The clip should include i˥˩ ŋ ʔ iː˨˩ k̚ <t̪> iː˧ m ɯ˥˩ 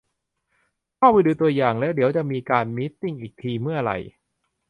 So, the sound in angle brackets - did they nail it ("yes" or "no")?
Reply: no